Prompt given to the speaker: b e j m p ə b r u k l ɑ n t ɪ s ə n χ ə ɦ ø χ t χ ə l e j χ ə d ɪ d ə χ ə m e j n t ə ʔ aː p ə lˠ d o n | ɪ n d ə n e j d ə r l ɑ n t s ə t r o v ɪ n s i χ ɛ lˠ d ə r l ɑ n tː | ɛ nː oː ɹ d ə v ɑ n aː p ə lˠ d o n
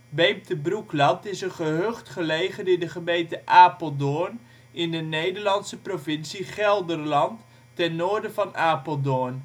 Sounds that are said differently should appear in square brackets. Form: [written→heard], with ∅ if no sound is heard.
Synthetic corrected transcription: b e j m [p→t] ə b r u k l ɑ n t ɪ s ə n χ ə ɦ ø χ t χ ə l e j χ ə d ɪ d ə χ ə m e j n t ə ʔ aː p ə lˠ d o n | ɪ n d ə n e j d ə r l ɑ n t s ə [t→p] r o v ɪ n s i χ ɛ lˠ d ə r l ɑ n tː | ɛ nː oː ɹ d ə v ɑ n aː p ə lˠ d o n